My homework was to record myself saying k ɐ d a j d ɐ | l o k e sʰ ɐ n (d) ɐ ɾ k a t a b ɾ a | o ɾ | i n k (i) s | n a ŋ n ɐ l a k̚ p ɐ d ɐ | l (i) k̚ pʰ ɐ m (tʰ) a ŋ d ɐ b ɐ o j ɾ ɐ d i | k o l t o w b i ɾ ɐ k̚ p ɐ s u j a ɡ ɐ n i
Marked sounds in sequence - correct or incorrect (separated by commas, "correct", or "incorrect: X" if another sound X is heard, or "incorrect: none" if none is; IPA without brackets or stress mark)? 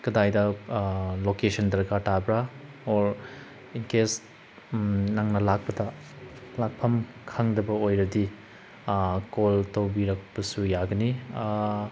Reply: correct, incorrect: e, incorrect: a, incorrect: kʰ